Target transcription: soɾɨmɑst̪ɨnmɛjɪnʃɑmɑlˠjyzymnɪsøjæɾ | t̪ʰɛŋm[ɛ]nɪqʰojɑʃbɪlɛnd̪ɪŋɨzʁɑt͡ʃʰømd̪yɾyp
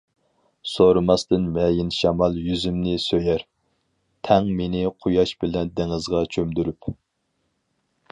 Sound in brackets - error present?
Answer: yes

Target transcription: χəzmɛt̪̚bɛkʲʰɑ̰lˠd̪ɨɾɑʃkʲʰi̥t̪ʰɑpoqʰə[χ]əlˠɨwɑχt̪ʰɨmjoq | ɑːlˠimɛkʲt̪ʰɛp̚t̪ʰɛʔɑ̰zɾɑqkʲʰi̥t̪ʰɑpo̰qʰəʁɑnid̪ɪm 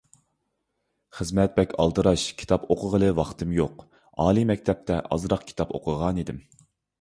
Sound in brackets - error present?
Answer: yes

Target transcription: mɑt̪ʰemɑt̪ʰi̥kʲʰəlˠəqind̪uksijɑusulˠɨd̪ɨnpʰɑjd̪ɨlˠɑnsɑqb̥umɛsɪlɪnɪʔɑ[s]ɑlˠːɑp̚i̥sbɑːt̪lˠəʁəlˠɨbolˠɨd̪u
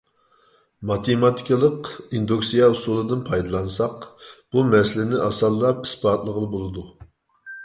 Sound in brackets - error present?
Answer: no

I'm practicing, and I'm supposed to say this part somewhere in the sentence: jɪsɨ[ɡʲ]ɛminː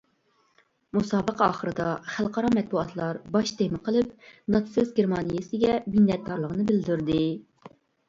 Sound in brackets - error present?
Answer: no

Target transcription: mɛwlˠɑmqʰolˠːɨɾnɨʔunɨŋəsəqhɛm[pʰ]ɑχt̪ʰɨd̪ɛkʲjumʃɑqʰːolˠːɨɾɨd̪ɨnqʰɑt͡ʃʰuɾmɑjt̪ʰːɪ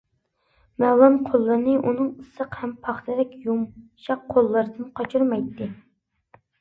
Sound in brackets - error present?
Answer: no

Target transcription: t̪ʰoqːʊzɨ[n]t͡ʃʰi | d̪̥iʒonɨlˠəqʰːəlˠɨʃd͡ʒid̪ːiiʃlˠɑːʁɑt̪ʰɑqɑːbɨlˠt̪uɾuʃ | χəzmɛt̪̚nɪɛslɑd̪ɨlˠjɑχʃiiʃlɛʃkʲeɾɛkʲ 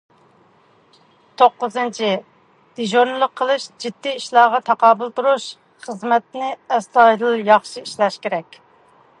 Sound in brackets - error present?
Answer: no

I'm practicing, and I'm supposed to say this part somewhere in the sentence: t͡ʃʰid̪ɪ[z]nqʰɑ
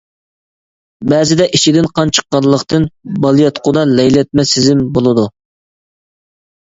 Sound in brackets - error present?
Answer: yes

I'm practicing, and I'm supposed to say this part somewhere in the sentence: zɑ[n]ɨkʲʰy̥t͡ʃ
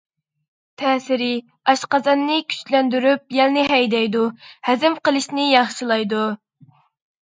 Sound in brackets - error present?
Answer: yes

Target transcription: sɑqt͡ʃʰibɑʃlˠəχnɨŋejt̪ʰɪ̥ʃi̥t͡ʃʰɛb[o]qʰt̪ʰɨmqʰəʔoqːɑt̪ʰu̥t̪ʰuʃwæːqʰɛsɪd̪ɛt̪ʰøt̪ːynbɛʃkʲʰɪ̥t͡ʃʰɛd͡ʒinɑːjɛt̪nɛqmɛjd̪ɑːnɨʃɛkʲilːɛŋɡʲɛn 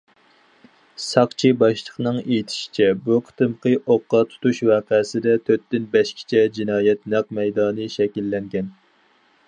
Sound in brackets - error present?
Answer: yes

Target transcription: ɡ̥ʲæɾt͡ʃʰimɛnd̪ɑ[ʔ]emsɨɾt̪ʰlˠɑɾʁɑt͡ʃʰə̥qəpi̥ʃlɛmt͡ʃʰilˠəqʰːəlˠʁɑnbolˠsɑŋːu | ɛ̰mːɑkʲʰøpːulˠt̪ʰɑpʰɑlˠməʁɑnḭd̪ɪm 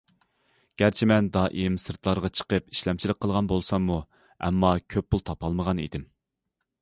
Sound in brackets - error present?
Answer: no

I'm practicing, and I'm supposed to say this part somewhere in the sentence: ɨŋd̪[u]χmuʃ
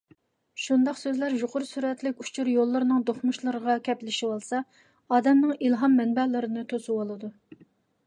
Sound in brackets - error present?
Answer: yes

